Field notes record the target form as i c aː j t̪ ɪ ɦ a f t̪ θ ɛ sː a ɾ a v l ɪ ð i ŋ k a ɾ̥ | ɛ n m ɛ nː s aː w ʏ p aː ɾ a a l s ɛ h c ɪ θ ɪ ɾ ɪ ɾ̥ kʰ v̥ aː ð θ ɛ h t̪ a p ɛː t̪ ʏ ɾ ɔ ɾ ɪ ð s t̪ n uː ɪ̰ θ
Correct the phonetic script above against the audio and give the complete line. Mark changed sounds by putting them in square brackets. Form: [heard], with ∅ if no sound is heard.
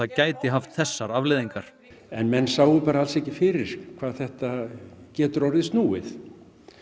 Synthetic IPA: [a] c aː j t̪ ɪ ɦ a f t̪ θ ɛ sː a ɾ a v l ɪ ð i ŋ k a ɾ̥ | ɛ n m ɛ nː s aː w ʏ p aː ɾ a a l s ɛ h c ɪ [f] ɪ ɾ ɪ ɾ̥ kʰ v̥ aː ð θ ɛ h t̪ a [c] ɛː t̪ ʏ ɾ ɔ ɾ ɪ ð s t̪ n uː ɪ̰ θ